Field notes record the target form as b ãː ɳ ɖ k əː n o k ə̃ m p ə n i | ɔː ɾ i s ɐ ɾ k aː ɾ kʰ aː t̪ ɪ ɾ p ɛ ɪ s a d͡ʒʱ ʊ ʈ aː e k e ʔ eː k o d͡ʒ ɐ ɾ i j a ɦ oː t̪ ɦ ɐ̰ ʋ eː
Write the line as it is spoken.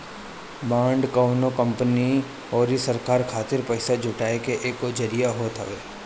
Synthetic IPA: b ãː ɳ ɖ k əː n o k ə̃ m p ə n i | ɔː ɾ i s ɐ ɾ k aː ɾ kʰ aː t̪ ɪ ɾ p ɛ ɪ s a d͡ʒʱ ʊ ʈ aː e k e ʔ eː k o d͡ʒ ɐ ɾ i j a ɦ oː t̪ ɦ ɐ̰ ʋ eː

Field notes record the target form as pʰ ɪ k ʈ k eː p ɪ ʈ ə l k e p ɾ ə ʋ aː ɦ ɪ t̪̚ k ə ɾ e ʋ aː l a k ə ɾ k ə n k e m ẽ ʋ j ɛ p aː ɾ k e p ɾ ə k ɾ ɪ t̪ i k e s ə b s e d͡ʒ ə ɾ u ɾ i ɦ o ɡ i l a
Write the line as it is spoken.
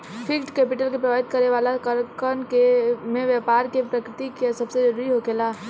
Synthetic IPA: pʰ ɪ k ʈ k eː p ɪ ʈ ə l k e p ɾ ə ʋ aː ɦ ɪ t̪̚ k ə ɾ e ʋ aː l a k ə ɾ k ə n k e m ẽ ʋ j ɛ p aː ɾ k e p ɾ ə k ɾ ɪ t̪ i k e s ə b s e d͡ʒ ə ɾ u ɾ i ɦ o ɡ e l a

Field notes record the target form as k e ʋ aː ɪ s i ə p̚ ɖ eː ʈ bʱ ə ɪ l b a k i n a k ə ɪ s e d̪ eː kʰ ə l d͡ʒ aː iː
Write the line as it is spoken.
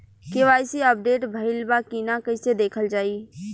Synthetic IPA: k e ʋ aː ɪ s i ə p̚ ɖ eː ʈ bʱ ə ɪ l b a k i n a k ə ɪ s e d̪ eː kʰ ə l d͡ʒ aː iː

